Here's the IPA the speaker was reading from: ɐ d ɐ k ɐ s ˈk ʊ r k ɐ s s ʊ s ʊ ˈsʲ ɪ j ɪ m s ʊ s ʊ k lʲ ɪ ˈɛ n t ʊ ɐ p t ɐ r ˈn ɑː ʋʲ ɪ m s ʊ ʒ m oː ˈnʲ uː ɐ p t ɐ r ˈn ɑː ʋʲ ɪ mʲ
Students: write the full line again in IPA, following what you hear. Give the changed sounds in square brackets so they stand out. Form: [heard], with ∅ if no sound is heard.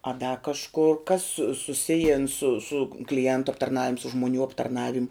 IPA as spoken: ɐ d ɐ k ɐ [ʃ] ˈk ʊ r k ɐ s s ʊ s ʊ ˈsʲ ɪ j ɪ [n] s ʊ s ʊ k lʲ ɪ ˈɛ n t ʊ ɐ p t ɐ r ˈn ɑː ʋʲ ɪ m s ʊ ʒ m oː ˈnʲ uː ɐ p t ɐ r ˈn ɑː ʋʲ ɪ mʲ